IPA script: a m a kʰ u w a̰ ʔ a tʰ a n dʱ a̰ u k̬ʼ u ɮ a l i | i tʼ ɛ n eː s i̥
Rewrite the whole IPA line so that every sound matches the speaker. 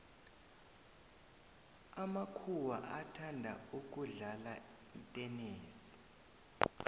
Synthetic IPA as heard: a m a kʰ u w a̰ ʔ a tʰ a n dʱ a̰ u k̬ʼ u ɮ a l a | i tʼ ɛ n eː s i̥